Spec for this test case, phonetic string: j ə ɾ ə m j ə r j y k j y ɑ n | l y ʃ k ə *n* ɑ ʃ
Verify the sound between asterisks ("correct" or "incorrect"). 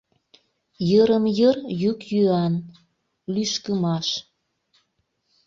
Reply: incorrect